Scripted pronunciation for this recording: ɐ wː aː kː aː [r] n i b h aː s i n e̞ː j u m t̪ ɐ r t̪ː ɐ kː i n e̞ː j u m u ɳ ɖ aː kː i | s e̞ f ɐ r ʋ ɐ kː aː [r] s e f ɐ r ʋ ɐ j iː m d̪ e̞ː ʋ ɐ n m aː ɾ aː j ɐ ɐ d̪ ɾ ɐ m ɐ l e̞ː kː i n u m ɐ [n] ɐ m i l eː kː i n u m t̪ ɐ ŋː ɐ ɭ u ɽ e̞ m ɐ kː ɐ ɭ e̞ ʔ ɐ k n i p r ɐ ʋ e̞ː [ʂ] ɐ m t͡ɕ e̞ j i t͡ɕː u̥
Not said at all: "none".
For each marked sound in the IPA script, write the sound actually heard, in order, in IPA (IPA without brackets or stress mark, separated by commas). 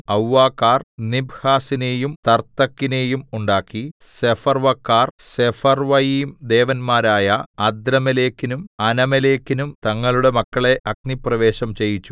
r, r, n, ɕ